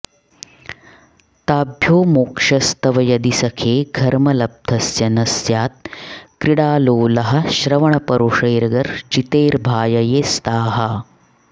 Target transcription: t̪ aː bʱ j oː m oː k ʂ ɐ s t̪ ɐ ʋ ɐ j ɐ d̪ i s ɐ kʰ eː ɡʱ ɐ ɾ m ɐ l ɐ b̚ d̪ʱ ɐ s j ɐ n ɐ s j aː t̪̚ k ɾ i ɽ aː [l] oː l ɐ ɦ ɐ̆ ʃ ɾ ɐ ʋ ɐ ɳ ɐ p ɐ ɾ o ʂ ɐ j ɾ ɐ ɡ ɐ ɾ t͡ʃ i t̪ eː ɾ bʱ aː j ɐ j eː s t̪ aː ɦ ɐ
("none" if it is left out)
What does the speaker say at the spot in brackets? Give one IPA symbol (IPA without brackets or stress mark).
l